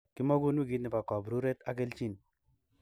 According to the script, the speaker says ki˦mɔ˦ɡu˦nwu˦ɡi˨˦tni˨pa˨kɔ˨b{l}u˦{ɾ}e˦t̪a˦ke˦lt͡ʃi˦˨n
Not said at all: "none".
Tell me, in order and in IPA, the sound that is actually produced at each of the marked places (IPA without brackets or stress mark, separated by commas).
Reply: ɾ, ɾ